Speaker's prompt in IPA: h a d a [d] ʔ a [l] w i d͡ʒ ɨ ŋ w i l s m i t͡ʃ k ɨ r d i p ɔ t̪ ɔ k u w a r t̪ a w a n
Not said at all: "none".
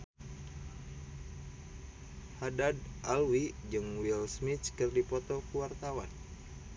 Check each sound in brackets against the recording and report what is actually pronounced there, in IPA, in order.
d, l

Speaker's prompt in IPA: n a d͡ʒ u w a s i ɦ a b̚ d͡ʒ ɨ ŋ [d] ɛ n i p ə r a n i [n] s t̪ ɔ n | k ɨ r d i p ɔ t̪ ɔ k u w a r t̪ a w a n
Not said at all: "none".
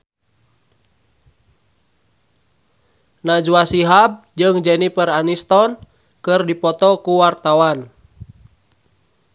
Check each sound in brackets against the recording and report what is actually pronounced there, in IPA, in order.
d͡ʒ, none

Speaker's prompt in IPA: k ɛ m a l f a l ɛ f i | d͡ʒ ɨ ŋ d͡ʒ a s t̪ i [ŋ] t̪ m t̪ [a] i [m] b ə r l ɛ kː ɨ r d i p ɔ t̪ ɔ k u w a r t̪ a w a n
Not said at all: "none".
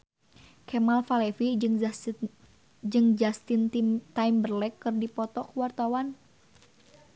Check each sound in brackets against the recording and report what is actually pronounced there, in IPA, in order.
n, a, m

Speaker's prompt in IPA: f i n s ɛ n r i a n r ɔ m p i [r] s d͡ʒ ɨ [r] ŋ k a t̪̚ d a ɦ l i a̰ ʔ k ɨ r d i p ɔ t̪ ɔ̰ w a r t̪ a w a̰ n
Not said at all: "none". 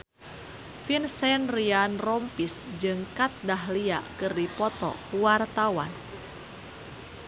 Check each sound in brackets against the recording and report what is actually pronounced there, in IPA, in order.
none, none

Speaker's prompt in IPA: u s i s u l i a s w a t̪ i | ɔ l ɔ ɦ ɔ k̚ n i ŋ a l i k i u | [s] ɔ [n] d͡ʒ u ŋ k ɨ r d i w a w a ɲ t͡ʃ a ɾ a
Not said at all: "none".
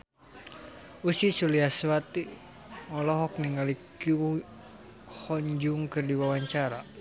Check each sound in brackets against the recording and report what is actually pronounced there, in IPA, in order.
h, ɲ

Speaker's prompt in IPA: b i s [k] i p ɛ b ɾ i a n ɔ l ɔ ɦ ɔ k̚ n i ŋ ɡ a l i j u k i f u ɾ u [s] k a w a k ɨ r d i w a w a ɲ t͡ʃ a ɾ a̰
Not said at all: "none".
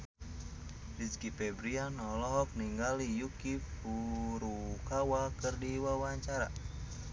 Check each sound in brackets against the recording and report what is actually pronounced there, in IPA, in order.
k, none

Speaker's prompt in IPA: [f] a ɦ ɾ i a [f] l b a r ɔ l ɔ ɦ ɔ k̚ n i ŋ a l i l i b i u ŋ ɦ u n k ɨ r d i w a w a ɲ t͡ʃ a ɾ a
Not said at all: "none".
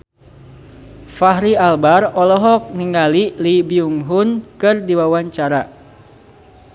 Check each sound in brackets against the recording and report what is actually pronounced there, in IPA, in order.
f, none

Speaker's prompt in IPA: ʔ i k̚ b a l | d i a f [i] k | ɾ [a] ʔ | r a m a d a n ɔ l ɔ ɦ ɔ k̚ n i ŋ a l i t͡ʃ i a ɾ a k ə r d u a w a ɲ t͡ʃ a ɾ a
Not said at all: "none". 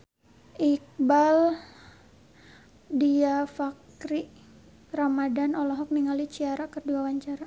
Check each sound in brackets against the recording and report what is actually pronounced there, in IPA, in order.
a, i

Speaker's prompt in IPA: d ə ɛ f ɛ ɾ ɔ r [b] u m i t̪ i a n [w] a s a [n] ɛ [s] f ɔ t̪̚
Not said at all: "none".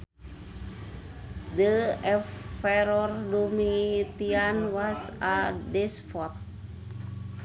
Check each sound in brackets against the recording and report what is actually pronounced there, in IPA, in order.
d, w, d, s

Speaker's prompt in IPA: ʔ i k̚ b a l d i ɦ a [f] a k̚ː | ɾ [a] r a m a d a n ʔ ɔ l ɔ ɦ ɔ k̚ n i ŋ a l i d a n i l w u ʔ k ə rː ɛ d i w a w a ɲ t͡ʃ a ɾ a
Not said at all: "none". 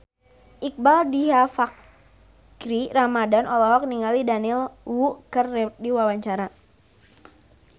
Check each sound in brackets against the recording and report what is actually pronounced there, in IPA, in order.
f, i

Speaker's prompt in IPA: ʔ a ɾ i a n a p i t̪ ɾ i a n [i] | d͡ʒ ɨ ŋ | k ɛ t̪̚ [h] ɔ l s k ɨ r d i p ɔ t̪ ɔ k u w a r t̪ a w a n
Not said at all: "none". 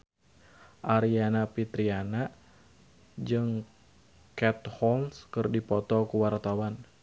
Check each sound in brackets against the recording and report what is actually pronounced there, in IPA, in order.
a, h

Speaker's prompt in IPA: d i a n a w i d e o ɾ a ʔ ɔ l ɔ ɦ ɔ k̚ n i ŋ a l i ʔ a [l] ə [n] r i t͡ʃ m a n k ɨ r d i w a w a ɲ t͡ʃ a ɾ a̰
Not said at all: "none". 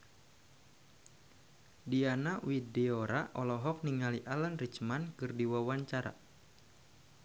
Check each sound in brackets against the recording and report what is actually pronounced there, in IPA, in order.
l, n

